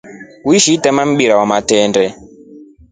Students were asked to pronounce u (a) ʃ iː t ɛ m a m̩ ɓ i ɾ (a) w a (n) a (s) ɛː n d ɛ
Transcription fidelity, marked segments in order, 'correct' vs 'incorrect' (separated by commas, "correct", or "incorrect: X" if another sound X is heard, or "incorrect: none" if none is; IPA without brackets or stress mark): incorrect: i, correct, incorrect: m, incorrect: t